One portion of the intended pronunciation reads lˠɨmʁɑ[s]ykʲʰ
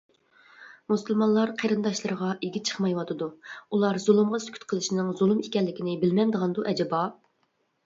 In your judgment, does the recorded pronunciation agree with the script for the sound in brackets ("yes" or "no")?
yes